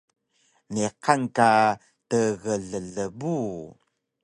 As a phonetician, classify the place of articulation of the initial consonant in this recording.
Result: alveolar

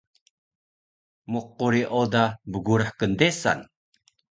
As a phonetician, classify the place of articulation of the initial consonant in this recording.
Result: labial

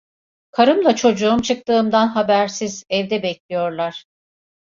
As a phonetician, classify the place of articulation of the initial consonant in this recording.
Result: velar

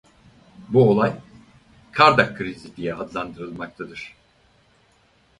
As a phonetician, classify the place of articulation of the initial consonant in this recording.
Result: labial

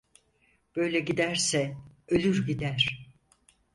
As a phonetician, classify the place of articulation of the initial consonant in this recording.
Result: labial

